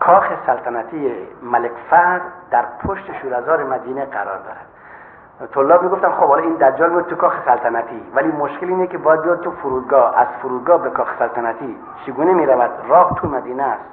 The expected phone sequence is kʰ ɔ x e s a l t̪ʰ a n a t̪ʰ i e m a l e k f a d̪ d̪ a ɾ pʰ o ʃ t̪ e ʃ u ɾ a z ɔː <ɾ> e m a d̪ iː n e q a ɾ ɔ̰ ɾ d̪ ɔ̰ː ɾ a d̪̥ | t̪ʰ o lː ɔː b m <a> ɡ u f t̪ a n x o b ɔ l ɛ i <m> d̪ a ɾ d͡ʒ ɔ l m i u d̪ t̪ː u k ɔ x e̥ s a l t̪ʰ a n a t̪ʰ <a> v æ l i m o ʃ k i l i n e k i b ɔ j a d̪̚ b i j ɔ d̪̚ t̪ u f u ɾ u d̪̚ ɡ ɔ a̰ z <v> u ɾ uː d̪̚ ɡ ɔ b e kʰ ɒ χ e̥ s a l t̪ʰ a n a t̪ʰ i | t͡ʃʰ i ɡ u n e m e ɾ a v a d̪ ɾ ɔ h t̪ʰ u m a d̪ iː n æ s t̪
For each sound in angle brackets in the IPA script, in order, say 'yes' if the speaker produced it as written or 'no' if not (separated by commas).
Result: yes, no, no, no, no